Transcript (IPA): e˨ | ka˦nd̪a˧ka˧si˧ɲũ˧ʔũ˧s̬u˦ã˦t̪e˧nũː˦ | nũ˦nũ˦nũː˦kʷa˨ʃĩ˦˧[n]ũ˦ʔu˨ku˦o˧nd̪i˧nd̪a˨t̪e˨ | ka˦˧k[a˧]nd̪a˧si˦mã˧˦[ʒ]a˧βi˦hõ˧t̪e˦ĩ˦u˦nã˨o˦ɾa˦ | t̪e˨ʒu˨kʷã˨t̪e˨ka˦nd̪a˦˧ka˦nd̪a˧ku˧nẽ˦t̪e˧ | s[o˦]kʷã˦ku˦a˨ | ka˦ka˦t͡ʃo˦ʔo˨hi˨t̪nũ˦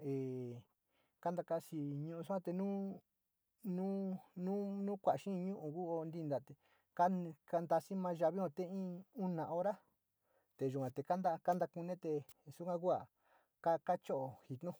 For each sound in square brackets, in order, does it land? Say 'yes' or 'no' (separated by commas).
no, yes, yes, no